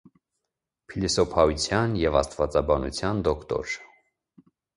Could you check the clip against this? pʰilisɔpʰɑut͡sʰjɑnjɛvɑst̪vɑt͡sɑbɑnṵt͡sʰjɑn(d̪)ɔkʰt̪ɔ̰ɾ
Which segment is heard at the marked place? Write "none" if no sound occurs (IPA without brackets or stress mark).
d̪